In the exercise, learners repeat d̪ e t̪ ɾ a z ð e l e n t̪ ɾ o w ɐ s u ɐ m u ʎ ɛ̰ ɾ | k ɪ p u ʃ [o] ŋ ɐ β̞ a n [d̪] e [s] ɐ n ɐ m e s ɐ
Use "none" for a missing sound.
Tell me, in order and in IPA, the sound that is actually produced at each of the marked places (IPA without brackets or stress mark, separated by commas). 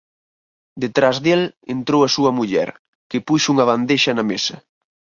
u, d̪, ʃ